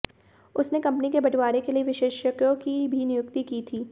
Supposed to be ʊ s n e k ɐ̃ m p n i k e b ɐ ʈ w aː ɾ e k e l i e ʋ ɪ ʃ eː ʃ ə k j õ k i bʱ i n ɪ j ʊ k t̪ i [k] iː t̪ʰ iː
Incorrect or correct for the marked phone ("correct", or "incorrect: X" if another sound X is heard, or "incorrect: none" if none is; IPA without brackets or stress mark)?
correct